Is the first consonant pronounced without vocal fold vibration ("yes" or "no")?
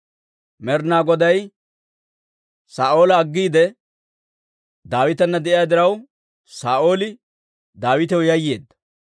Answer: no